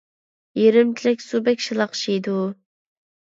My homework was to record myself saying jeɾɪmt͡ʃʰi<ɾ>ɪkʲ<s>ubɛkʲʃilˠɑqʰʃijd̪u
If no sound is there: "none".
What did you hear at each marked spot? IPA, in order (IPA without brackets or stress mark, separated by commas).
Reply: l, s